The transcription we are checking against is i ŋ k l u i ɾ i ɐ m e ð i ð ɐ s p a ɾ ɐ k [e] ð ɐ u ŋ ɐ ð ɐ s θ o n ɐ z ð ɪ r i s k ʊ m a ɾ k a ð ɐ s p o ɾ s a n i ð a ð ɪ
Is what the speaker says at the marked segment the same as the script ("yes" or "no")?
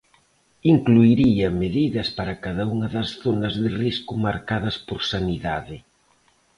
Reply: no